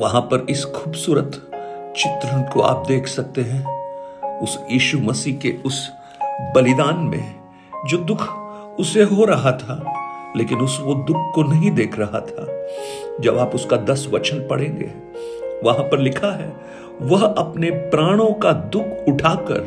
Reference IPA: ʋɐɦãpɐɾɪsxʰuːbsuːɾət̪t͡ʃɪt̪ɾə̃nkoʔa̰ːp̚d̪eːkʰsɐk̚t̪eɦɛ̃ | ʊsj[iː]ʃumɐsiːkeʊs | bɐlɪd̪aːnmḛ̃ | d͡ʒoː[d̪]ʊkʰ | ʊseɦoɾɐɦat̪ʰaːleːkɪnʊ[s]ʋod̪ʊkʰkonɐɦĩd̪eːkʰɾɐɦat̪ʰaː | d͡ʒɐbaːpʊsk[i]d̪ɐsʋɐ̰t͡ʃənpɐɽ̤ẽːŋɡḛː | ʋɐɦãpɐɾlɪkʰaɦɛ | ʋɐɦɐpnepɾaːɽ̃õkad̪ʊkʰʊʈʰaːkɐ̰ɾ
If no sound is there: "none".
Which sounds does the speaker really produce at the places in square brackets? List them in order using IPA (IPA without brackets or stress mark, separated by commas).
iː, d̪, s, a